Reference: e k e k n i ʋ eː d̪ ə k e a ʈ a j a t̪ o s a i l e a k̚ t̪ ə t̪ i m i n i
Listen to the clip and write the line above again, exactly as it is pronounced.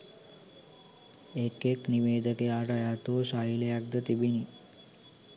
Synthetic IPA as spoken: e k e k n i ʋ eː d̪ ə k e a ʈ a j a t̪ o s a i l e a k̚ d̪ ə t̪ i b i n i